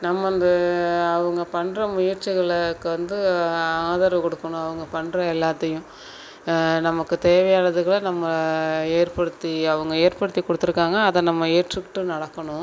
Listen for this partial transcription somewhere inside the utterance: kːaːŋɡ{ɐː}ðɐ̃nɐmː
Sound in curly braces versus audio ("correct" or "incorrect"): correct